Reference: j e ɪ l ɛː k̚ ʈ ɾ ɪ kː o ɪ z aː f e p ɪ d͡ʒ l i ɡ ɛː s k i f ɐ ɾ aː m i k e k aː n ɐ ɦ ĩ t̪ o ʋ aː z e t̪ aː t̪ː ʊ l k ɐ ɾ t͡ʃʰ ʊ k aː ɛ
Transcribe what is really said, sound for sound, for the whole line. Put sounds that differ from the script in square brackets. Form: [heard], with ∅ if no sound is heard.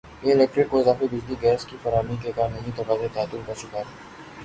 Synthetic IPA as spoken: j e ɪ l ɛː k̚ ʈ ɾ ɪ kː o ɪ z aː f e [b] ɪ d͡ʒ l i ɡ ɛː s k i f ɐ ɾ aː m i k e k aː n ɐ ɦ ĩ t̪ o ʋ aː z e t̪ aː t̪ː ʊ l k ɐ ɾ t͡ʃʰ ʊ k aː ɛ